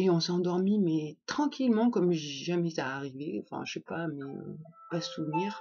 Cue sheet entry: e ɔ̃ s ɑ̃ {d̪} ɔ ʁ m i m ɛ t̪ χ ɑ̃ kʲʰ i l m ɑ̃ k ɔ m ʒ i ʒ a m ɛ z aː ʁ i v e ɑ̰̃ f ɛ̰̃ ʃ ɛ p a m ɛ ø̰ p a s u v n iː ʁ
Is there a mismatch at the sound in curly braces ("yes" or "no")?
no